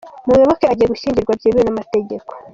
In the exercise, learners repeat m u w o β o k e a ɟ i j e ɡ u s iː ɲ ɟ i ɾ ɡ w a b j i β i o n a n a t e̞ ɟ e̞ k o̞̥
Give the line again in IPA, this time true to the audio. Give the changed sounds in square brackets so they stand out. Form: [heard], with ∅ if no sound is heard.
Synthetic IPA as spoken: m u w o β o k e a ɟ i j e ɡ u [ʃ] iː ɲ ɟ i ɾ ɡ w a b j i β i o n a [m] a t e̞ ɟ e̞ k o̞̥